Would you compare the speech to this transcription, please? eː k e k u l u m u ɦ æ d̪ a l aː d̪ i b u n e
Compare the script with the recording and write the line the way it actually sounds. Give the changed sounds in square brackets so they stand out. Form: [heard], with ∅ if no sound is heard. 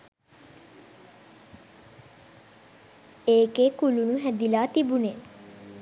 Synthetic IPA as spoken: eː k e k u l u [n] u ɦ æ d̪ [i] l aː [t̪] i b u n e